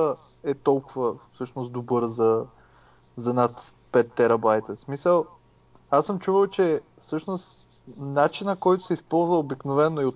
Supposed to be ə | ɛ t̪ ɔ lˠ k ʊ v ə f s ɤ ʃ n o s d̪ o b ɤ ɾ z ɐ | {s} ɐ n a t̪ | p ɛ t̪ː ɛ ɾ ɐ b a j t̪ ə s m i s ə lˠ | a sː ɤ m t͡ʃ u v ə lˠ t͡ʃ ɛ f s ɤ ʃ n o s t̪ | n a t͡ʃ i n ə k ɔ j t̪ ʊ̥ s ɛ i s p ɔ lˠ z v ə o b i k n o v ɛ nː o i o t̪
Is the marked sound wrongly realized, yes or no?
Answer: yes